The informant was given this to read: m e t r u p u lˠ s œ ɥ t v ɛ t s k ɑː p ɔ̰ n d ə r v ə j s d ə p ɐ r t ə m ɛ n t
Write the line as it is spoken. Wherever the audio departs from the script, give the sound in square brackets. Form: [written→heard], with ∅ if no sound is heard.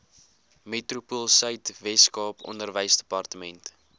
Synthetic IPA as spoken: m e t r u p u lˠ s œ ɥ t v ɛ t s k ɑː p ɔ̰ n d ə r v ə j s d ə p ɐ r t ə m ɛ n t